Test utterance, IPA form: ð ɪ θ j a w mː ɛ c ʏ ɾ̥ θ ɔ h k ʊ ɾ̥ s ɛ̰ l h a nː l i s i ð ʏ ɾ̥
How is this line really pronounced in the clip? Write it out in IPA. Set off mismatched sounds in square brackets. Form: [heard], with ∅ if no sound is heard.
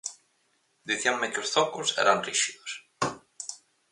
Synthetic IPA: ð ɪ θ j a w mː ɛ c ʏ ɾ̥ θ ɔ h k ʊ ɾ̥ s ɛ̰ [ɾ] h a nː [r] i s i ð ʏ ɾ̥

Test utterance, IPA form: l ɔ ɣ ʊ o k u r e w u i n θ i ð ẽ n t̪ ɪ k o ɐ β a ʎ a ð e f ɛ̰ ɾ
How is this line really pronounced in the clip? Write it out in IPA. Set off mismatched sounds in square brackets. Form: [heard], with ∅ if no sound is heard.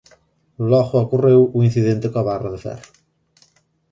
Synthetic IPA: l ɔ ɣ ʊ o k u r e w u i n θ i ð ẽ n t̪ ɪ k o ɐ β a [r] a ð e f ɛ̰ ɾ

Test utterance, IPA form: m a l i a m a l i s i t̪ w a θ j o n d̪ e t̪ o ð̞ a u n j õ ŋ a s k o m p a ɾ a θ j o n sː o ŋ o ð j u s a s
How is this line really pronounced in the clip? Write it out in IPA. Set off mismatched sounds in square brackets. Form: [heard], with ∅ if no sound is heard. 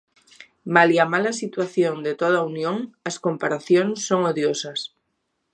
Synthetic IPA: m a l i a m a l [a] s i t̪ w a θ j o n d̪ e t̪ o ð̞ a u n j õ ŋ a s k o m p a ɾ a θ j o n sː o ŋ o ð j [o] s a s

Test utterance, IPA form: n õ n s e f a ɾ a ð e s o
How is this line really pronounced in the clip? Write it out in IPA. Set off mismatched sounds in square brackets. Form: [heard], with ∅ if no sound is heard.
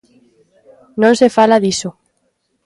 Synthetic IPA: n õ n s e f a [l] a ð [i] s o

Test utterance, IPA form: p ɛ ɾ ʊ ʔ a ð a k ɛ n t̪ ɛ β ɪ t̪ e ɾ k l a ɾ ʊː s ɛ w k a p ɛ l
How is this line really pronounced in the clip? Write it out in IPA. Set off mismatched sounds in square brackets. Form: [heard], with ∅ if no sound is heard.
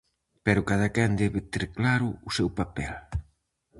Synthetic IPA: p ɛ ɾ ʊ [k] a ð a k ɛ n [d̪] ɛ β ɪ t̪ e ɾ k l a ɾ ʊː s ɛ w [p] a p ɛ l

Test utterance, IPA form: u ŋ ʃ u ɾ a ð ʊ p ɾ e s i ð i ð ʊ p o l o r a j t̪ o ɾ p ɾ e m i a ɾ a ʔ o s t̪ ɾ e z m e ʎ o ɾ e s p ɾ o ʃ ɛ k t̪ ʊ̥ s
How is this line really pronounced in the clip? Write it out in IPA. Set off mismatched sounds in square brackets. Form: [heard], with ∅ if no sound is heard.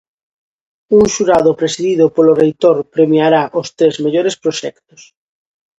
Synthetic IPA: u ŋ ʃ u ɾ a ð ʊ p ɾ e s i ð i ð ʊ p o l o r [e] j t̪ o ɾ p ɾ e m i a ɾ a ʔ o s t̪ ɾ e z m e ʎ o ɾ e s p ɾ o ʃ ɛ k t̪ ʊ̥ s

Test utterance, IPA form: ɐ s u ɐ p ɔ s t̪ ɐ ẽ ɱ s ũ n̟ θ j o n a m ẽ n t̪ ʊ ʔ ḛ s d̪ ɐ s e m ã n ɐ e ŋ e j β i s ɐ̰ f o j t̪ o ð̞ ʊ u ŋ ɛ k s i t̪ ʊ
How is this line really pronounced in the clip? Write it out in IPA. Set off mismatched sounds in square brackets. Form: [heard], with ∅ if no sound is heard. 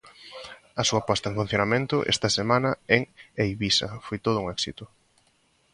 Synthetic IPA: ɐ s u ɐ p ɔ s t̪ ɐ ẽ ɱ [f] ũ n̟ θ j o n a m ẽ n t̪ ʊ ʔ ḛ s [t̪] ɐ s e m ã n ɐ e ŋ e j β i s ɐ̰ f o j t̪ o ð̞ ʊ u ŋ ɛ k s i t̪ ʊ

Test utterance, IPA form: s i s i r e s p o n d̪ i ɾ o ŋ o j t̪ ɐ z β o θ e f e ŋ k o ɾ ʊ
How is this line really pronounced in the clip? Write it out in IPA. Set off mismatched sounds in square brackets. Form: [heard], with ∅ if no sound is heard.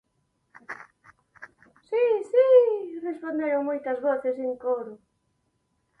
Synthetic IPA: s i s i r e s p o n d̪ [e] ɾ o [m] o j t̪ ɐ z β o θ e [s] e ŋ k o ɾ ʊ

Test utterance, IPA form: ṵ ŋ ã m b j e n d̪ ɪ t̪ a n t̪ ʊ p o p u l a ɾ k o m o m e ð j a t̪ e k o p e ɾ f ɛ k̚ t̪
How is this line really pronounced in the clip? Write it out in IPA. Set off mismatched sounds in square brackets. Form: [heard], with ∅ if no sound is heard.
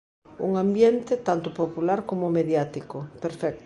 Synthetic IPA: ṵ ŋ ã m b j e n [t̪] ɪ t̪ a n t̪ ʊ p o p u l a ɾ k o m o m e ð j a t̪ [i] k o p e ɾ f ɛ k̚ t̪

